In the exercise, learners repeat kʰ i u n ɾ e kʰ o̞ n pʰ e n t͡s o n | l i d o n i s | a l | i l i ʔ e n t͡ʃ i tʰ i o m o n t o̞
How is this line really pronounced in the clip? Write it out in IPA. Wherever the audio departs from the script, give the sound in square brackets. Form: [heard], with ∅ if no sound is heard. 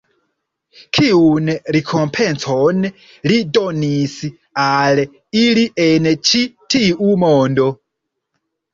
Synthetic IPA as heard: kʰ i u n ɾ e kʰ o̞ [m] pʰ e n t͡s o n | l i d o n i s | a l | i l i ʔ e n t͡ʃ i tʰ i [u] m o n [d] o̞